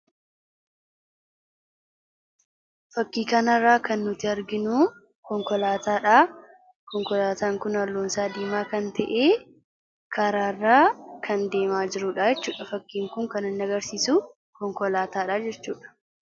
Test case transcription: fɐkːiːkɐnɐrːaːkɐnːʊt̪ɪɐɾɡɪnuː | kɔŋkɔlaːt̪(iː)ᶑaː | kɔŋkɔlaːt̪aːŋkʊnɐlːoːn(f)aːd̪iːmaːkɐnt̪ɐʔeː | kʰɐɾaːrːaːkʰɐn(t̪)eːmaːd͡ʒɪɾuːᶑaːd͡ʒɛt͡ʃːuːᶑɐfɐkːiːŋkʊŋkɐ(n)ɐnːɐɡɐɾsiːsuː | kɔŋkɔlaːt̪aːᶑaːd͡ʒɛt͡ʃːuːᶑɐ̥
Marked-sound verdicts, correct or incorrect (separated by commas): incorrect, incorrect, incorrect, correct